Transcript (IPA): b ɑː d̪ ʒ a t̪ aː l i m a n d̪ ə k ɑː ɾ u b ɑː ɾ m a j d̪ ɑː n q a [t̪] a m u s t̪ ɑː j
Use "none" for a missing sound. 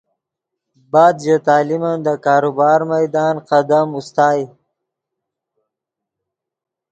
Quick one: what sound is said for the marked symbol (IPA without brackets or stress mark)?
d̪